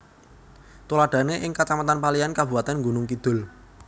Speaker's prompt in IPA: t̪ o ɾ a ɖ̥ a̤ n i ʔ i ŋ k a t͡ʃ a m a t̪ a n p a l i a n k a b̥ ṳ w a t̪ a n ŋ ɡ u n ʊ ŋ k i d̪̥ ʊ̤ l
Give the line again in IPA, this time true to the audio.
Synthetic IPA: t̪ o l a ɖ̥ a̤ n e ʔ ɪ ŋ k a t͡ʃ a m a t̪ a n p a l i a n k a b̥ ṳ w a t̪ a n ŋ ɡ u n ʊ ŋ k i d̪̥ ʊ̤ l